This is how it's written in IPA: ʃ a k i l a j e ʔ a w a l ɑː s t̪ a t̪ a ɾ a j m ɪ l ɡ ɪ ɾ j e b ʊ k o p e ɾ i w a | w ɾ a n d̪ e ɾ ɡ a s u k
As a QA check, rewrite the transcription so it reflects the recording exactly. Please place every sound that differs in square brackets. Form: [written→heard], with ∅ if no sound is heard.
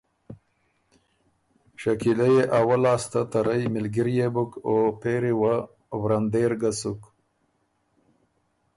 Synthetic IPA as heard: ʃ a k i l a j e ʔ a w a l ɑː s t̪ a t̪ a ɾ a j m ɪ l ɡ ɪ ɾ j e b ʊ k o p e ɾ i w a | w ɾ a n d̪ e ɾ ɡ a s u k